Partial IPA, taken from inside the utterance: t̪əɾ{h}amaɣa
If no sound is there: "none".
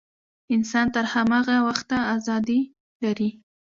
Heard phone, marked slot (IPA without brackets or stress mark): h